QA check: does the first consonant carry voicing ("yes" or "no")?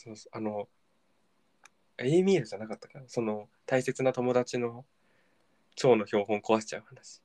no